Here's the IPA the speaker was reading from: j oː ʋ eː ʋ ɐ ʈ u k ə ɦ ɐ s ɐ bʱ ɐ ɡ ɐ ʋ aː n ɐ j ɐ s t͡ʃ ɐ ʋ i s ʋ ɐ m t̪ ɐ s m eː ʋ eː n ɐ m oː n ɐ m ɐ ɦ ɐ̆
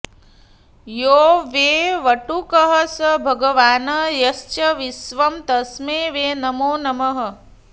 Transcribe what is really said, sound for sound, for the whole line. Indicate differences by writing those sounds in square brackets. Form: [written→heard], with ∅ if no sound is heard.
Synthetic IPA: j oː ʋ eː ʋ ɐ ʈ u k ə ɦ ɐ s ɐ bʱ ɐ ɡ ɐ ʋ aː n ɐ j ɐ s t͡ʃ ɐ ʋ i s ʋ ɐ m t̪ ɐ s m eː ʋ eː n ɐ m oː n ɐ m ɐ ɦ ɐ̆